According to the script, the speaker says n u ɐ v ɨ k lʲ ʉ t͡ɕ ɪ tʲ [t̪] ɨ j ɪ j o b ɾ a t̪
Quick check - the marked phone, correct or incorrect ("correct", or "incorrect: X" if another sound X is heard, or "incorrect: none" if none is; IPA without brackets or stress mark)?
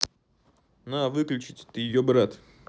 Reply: correct